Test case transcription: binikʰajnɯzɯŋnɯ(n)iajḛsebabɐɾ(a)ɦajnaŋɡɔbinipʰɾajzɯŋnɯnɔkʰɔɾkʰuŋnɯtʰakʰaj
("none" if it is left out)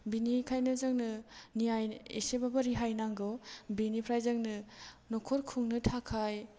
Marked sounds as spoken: n, i

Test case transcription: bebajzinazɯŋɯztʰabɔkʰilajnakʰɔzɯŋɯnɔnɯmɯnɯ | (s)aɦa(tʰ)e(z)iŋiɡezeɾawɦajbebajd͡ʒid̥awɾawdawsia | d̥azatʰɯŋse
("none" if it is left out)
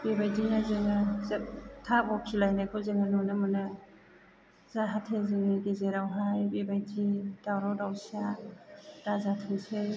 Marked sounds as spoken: z, tʰ, z

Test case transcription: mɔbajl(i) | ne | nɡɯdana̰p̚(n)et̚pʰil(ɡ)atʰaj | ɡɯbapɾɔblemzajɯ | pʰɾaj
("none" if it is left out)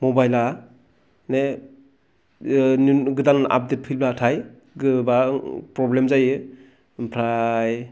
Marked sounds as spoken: a, d, b

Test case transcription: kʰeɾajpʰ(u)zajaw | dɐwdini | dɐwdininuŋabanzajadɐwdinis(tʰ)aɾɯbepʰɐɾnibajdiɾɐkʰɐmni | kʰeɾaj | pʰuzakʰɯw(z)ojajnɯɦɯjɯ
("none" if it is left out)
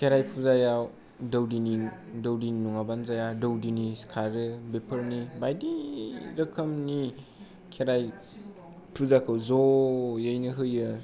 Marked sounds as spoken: u, kʰ, z

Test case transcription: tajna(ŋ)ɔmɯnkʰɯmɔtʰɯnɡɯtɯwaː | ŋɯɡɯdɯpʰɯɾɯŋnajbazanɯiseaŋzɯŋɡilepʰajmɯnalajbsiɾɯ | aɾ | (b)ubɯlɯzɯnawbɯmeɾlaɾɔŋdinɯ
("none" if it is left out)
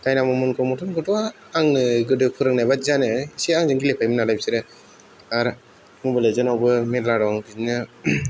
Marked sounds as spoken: m, m

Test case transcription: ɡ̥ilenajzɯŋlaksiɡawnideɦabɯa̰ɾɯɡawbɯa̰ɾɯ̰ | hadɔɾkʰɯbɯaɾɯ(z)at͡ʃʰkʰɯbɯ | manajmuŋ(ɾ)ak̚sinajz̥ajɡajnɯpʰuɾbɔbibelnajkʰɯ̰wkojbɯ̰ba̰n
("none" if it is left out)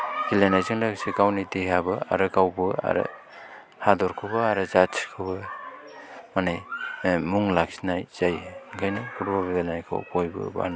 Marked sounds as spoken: z, l

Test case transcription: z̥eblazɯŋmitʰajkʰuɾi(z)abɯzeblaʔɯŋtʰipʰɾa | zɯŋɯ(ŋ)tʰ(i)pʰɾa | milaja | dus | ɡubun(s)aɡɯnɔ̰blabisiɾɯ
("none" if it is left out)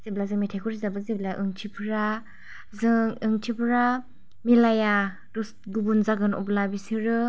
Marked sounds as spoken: z, ŋ, i, z

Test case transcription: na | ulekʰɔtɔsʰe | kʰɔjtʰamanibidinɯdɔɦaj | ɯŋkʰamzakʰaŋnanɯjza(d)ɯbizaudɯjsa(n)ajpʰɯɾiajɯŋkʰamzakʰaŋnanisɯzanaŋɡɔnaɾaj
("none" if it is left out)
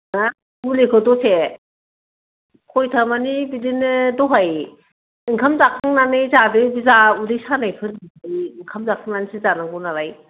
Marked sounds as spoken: d, n

